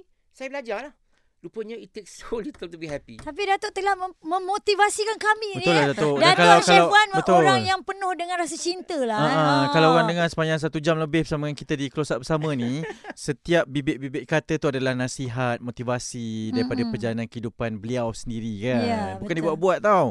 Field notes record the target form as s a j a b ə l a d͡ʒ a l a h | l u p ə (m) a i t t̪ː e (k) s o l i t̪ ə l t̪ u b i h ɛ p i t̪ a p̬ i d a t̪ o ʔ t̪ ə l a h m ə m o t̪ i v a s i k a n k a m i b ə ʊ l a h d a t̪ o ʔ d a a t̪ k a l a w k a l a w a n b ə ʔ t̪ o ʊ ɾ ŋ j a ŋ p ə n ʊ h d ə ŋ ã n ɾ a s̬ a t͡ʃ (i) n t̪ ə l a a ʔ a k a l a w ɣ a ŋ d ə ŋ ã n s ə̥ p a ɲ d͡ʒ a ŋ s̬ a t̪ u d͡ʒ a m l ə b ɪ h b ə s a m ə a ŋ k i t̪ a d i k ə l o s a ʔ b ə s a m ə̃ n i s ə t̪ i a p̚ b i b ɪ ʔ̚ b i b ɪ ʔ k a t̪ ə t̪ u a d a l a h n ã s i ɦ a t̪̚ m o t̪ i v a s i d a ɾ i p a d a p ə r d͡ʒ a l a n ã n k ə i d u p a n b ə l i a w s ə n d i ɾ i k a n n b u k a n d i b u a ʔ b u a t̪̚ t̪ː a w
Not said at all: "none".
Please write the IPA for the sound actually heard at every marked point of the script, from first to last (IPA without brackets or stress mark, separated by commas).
ɲ, k, i